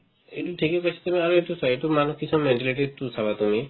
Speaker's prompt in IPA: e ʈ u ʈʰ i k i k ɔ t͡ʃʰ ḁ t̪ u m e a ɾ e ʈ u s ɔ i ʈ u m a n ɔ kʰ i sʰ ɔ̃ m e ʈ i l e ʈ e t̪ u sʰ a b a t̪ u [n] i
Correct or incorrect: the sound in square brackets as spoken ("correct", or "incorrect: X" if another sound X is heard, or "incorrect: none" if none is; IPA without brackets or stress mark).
incorrect: m